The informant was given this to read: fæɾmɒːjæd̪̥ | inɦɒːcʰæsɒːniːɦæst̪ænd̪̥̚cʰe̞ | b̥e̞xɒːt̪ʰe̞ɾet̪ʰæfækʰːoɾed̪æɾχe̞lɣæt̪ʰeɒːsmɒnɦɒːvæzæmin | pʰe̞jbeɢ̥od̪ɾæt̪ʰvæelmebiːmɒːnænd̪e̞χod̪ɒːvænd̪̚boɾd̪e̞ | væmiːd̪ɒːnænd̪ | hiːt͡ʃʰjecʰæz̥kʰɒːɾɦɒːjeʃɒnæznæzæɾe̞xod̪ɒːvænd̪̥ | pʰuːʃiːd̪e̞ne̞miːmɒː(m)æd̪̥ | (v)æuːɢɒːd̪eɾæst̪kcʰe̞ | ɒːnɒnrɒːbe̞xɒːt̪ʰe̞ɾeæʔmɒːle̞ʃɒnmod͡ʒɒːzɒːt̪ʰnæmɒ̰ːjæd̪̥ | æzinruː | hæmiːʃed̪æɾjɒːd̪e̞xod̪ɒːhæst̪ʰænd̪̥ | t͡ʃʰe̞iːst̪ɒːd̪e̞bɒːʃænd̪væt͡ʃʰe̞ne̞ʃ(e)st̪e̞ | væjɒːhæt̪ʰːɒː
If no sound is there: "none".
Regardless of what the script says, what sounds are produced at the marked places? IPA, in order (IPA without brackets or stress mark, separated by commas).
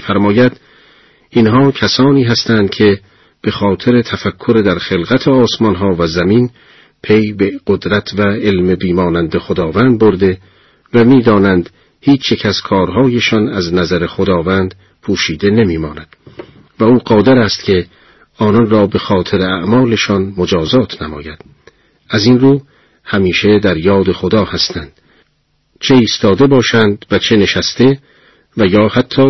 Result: n, v, æ